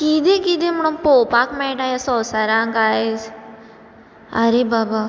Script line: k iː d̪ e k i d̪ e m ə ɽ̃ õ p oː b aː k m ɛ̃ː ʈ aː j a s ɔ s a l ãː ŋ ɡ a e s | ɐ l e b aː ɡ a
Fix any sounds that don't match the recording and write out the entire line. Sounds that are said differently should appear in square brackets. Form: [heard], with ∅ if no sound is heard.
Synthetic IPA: k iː d̪ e k i d̪ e m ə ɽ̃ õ p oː [p] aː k m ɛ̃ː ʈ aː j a s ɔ s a [ɾ] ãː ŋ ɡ a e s | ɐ [ɾ] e b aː [b] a